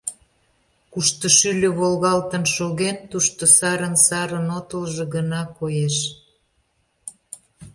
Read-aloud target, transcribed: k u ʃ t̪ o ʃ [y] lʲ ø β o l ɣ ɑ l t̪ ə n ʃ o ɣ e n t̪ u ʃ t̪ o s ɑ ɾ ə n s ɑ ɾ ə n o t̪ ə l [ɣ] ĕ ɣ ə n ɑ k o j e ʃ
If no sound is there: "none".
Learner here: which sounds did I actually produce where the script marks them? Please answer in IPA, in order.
y, ʒ

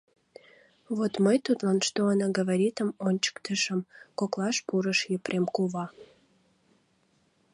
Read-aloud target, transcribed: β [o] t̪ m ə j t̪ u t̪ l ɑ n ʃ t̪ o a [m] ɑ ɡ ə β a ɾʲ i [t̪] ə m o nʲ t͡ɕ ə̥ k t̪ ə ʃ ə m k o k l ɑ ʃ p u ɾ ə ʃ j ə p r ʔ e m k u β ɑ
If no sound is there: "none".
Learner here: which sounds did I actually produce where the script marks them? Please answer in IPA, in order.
o, n, t̪

